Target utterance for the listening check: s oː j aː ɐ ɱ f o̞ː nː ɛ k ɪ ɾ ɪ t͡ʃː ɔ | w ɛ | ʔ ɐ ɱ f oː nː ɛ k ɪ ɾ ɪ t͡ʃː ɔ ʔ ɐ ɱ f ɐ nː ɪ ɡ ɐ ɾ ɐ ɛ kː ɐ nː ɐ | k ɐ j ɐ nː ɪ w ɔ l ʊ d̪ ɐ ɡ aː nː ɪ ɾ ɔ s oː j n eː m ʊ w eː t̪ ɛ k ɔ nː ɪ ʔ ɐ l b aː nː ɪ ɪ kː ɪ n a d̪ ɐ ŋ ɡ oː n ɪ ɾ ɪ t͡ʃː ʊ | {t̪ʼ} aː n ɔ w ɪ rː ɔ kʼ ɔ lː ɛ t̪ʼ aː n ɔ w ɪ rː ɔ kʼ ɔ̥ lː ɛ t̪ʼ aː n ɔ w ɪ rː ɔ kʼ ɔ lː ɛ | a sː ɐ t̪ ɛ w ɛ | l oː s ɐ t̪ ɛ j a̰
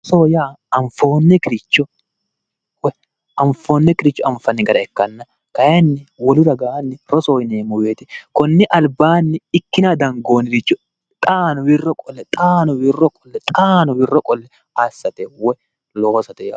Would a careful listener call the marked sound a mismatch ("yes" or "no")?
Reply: no